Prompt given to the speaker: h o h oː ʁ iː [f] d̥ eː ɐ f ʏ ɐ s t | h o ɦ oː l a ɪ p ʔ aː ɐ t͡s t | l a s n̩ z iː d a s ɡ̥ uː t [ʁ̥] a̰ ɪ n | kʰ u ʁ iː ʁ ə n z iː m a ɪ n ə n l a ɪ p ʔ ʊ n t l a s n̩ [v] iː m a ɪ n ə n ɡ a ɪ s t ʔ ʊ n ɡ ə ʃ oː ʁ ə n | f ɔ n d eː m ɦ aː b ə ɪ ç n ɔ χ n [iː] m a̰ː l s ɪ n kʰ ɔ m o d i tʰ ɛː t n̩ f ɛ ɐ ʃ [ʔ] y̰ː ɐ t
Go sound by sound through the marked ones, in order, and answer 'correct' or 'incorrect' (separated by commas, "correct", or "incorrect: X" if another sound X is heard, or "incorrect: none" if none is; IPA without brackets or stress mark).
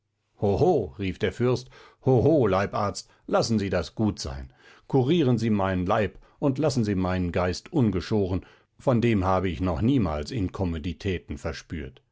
correct, incorrect: z̥, incorrect: z, correct, incorrect: p